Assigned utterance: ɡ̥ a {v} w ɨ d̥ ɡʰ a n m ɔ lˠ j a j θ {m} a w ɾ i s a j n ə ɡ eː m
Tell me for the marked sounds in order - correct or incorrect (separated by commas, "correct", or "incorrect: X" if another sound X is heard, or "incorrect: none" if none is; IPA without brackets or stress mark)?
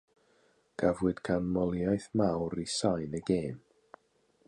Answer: correct, correct